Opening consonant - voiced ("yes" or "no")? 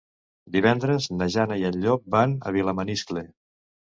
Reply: yes